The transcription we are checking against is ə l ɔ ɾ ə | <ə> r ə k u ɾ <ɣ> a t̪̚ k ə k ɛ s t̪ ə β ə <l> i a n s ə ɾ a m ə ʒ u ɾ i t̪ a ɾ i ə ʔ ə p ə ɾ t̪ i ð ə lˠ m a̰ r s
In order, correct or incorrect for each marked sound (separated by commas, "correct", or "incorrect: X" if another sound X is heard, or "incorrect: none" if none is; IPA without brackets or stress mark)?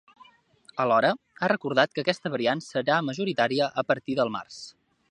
incorrect: a, incorrect: ð, incorrect: ɾ